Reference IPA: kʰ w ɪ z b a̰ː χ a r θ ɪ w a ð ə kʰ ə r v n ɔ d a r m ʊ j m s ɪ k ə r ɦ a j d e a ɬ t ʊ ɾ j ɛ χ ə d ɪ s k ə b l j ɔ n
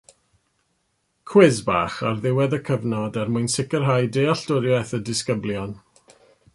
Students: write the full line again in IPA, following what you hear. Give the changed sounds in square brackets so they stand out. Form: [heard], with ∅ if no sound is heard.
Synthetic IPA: kʰ w ɪ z b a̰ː χ a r [ð] ɪ w [ɛ] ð ə kʰ ə [∅] v n ɔ d a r m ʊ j [n] s ɪ k ə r ɦ a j d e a ɬ t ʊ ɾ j ɛ [θ] ə d ɪ s k ə b l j ɔ n

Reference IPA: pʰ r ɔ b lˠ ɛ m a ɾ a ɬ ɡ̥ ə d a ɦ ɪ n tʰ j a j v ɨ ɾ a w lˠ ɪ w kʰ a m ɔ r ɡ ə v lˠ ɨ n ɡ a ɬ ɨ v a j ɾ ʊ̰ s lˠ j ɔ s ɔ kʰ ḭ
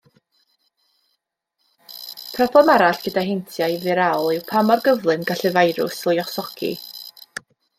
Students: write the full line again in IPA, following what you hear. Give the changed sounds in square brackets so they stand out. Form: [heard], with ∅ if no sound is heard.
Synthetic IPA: pʰ r ɔ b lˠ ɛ m a ɾ a ɬ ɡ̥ ə d a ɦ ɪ n tʰ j a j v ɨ ɾ a w lˠ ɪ w [pʰ] a m ɔ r ɡ ə v lˠ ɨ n ɡ a ɬ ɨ v a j ɾ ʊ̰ s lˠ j ɔ s ɔ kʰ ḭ

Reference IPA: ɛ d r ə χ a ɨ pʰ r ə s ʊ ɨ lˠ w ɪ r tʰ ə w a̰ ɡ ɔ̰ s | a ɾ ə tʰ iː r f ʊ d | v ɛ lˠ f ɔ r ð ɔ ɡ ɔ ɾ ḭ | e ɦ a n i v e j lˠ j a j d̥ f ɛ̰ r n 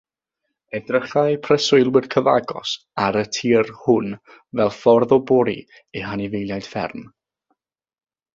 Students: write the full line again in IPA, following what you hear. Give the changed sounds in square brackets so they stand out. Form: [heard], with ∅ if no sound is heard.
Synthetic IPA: ɛ d r ə χ a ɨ pʰ r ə s ʊ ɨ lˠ w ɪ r [kʰ] ə [v] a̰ ɡ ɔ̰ s | a ɾ ə tʰ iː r [h] ʊ [n] | v ɛ lˠ f ɔ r ð ɔ [b] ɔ ɾ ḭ | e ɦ a n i v e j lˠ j a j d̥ f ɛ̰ r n

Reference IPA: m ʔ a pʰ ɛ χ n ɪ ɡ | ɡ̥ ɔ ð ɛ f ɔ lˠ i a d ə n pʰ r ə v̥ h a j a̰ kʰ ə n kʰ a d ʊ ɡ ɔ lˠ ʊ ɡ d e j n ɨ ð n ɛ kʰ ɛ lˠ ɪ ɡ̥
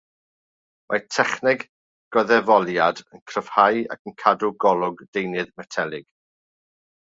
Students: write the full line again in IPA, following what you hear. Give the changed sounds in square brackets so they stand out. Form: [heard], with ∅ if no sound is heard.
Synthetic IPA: m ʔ a [tʰ] ɛ χ n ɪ ɡ | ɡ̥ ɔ ð ɛ [v] ɔ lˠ [j] a d ə n [kʰ] r ə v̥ h a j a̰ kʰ ə n kʰ a d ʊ ɡ ɔ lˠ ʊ ɡ d e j n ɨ ð [m] ɛ [tʰ] ɛ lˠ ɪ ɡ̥

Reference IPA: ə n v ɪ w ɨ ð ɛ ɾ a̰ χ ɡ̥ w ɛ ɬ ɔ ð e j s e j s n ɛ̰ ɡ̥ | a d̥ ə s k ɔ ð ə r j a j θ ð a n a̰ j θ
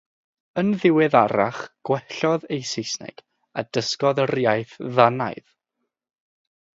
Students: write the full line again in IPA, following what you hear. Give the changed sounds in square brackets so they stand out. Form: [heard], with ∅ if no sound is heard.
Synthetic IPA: ə n [ð] ɪ w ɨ ð [a] ɾ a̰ χ ɡ̥ w ɛ ɬ ɔ ð e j s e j s n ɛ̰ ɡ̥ | a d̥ ə s k ɔ ð ə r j a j θ ð a n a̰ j [ð]

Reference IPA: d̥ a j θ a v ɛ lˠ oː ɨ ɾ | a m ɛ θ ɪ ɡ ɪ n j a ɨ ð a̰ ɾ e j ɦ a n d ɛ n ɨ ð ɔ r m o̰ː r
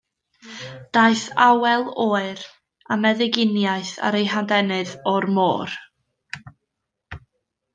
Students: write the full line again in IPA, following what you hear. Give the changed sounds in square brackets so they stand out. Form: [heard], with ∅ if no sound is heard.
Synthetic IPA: d̥ a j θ a [w] ɛ lˠ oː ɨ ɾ | a m ɛ [ð] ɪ ɡ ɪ n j a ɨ [θ] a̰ ɾ e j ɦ a n d ɛ n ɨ ð ɔ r m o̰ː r

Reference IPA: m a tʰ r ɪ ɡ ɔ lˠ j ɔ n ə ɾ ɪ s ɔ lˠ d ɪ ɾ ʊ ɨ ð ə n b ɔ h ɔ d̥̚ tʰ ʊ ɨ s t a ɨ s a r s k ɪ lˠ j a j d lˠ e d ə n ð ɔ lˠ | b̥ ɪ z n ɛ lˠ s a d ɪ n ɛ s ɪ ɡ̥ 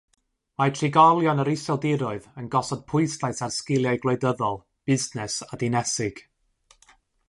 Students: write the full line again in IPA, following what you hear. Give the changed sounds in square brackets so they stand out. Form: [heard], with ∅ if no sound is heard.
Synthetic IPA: m a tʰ r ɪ ɡ ɔ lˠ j ɔ n ə ɾ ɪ s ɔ lˠ d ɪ ɾ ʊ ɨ ð ə n [ɡ] ɔ [s] ɔ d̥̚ [pʰ] ʊ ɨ s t a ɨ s a r s k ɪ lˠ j a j [ɡ] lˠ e d ə [∅] ð ɔ lˠ | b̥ ɪ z n ɛ [∅] s a d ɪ n ɛ s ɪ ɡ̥

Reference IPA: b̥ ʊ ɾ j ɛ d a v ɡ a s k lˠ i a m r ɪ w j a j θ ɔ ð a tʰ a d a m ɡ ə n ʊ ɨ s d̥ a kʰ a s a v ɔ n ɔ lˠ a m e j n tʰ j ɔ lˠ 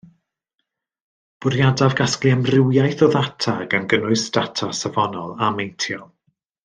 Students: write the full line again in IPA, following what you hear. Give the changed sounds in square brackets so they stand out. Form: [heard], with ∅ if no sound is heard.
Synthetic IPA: b̥ ʊ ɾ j [a] d a v ɡ a s k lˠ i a m r ɪ w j a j θ ɔ ð a tʰ a [ɡ] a [n] ɡ ə n ʊ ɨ s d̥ a [tʰ] a s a v ɔ n ɔ lˠ a m e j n tʰ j ɔ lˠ

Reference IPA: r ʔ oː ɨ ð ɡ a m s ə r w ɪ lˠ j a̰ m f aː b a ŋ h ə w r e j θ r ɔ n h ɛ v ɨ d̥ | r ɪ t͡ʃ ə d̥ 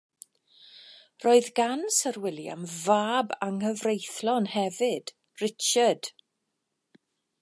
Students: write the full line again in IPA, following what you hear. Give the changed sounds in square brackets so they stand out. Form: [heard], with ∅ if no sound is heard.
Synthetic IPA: r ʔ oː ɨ ð ɡ a [n] s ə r w ɪ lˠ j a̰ m [v] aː b a ŋ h ə [v] r e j θ [l] ɔ n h ɛ v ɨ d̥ | r ɪ t͡ʃ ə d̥

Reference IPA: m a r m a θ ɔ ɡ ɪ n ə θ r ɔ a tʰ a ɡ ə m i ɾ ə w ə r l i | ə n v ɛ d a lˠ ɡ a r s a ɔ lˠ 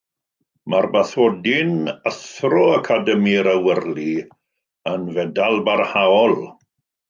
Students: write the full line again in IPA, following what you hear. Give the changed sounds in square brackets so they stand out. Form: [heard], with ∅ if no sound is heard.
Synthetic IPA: m a r [b] a θ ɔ [d] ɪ n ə θ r ɔ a [kʰ] a [d] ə m i ɾ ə w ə r l i | ə n v ɛ d a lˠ [b] a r [h] a ɔ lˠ

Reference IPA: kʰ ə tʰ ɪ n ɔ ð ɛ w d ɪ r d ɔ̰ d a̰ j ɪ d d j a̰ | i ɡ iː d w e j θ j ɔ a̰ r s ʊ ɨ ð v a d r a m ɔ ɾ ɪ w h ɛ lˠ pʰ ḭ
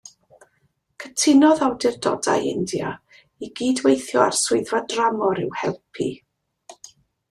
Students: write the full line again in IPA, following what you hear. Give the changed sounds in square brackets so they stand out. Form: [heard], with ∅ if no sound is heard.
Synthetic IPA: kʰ ə tʰ ɪ n ɔ ð [a] w d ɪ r d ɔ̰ d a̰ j ɪ [n] d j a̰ | i ɡ iː d w e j θ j ɔ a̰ r s ʊ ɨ ð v a d r a m ɔ ɾ ɪ w h ɛ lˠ pʰ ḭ

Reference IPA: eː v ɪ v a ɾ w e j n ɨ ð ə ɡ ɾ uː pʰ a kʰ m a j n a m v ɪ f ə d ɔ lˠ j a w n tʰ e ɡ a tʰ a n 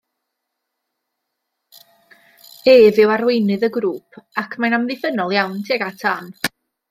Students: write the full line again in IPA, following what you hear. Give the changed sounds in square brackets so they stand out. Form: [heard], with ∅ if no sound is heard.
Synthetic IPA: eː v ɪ [w] a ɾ w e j n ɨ ð ə ɡ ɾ uː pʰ a kʰ m a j n a m [ð] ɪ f ə [n] ɔ lˠ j a w n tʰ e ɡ a tʰ a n

